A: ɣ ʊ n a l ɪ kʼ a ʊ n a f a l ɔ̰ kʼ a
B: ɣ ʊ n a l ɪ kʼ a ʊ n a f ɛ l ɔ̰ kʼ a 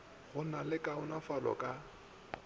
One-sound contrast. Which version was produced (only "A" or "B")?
A